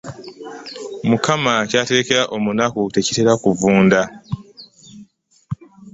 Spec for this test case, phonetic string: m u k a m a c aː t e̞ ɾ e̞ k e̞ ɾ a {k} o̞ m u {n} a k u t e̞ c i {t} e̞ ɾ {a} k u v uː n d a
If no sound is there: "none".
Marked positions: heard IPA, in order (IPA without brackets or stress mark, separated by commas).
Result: ʔ, n, t, a